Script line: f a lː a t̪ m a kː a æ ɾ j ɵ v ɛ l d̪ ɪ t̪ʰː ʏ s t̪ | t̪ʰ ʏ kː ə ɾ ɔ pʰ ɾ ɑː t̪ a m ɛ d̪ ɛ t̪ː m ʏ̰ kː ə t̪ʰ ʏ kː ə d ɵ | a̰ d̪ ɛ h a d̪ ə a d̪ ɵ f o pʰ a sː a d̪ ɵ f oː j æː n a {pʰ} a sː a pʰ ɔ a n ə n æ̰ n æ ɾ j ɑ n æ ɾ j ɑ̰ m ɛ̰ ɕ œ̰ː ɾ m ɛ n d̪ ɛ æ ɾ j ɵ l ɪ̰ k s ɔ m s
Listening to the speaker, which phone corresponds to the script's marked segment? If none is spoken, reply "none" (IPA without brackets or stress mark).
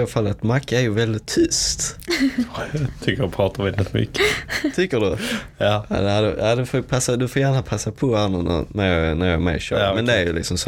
pʰ